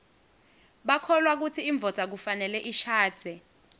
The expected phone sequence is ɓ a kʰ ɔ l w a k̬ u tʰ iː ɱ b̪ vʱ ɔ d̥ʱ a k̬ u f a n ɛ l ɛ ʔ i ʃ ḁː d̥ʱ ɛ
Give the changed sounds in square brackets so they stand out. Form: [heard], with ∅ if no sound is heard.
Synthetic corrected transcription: ɓ a kʰ ɔ l w a k̬ u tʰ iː ɱ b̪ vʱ ɔ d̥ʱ a k̬ u f a n ɛ l ɛ ʔ i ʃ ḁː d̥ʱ ɛ